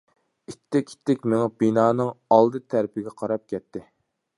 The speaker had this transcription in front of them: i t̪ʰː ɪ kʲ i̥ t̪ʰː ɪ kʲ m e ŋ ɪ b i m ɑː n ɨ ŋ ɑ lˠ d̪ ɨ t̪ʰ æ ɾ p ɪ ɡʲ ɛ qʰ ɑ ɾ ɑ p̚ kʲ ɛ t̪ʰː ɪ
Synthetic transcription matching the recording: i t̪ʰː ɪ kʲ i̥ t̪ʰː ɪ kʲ m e ŋ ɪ b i n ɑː n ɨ ŋ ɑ lˠ d̪ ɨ t̪ʰ æ ɾ p ɪ ɡʲ ɛ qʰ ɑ ɾ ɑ p̚ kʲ ɛ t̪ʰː ɪ